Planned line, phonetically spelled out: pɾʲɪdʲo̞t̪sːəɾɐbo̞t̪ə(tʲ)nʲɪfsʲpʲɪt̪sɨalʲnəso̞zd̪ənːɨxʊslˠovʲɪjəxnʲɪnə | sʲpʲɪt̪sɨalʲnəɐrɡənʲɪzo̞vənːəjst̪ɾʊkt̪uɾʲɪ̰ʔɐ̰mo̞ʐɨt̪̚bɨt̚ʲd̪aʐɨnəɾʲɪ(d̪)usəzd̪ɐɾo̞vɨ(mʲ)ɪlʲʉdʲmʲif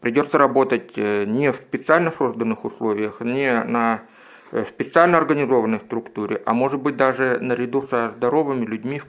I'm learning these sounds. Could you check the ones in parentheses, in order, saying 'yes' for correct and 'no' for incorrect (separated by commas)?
yes, yes, yes